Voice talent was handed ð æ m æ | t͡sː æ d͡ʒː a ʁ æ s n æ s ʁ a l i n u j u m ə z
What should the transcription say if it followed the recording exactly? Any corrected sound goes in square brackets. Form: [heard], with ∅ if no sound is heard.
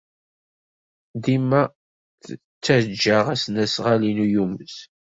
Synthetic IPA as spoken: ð [i] m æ | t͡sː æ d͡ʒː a ʁ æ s n æ s ʁ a l i n u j u m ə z